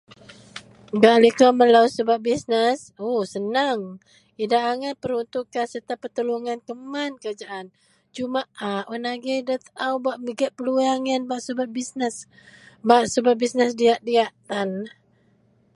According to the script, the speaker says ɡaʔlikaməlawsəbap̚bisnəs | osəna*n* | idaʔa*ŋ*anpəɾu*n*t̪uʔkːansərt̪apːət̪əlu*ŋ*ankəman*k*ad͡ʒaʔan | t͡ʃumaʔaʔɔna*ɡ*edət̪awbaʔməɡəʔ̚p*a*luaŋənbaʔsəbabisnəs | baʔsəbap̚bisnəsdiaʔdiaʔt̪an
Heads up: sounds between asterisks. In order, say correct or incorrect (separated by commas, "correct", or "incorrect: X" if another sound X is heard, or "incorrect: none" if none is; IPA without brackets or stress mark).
incorrect: ŋ, correct, correct, correct, correct, correct, incorrect: ə